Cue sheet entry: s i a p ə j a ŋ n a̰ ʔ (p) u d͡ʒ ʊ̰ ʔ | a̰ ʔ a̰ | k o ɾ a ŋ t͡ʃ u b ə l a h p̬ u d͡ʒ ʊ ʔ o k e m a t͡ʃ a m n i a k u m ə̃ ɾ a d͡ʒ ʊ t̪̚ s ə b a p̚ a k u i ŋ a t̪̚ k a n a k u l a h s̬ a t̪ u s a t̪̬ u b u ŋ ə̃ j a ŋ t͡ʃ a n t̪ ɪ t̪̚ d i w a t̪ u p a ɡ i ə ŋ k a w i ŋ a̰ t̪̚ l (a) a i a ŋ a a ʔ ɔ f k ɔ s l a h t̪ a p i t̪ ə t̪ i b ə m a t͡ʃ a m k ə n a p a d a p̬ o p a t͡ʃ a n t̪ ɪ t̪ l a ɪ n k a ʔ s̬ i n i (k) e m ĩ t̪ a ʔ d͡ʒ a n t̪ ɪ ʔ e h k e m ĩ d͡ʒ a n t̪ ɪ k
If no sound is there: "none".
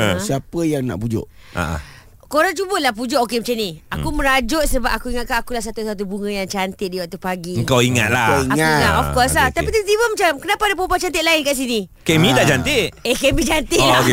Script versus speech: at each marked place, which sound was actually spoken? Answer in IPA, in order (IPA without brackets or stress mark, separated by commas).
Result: p, a, k